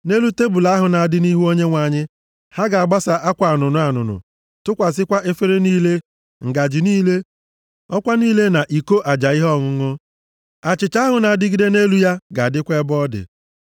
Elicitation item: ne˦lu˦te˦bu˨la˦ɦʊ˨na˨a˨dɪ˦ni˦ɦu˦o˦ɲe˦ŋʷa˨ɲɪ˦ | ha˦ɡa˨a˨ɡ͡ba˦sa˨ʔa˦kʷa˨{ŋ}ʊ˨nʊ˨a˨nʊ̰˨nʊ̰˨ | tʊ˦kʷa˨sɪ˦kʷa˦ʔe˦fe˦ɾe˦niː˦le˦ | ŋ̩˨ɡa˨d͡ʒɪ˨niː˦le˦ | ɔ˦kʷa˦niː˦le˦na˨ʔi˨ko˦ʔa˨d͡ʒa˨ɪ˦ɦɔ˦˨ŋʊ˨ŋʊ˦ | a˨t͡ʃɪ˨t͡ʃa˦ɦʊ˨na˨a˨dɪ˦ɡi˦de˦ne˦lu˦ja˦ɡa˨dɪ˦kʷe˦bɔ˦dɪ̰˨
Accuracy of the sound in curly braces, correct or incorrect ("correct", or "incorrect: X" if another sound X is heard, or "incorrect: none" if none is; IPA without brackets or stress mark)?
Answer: incorrect: n